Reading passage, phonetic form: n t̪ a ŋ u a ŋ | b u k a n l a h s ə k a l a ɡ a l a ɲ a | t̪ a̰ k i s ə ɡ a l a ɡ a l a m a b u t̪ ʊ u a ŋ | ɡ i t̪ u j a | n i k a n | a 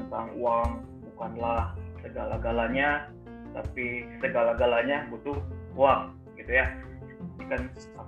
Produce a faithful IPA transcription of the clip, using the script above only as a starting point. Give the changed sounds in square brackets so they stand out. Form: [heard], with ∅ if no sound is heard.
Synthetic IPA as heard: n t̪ a ŋ u a ŋ | b u k a n l a h s ə [ɡ] a l a ɡ a l a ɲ a | t̪ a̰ [p] i s ə ɡ a l a ɡ a l a [ɲ] a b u t̪ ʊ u a ŋ | ɡ i t̪ u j a | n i k a n | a